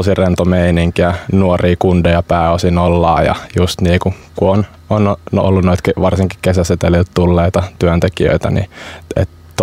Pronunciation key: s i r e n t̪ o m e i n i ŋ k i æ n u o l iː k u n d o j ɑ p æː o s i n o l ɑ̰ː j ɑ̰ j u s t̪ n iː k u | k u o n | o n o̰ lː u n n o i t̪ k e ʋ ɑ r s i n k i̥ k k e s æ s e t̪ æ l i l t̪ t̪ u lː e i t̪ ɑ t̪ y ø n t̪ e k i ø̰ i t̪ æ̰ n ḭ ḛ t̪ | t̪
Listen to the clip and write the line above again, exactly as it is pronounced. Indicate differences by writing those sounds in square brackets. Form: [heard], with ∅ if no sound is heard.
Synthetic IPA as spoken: s i r e n t̪ o m e i n i ŋ k i æ n u o [r] iː k u n d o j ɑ p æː o s i n o [lː] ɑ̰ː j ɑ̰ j u s t̪ n iː k u | k u o n | o n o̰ lː u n n o i t̪ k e ʋ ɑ r s i [ŋ] k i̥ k k e s æ s e t̪ [e] l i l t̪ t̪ u lː e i t̪ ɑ t̪ y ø n t̪ e k i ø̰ i t̪ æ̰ n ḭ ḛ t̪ | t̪